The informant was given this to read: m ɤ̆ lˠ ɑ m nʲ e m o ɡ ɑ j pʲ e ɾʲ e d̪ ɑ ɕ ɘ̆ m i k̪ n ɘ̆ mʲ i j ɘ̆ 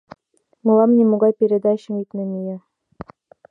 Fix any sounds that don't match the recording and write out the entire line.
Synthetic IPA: m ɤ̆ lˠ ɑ m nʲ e m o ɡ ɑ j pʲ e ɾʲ e d̪ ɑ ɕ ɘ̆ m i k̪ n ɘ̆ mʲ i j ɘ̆